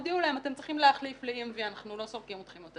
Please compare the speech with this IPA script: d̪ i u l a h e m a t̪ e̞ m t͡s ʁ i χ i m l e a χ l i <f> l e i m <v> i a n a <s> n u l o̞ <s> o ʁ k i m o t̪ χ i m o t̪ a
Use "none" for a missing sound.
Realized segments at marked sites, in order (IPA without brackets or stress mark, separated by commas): f, v, χ, s